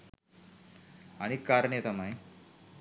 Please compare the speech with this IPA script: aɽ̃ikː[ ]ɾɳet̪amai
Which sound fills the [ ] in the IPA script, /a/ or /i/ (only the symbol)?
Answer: a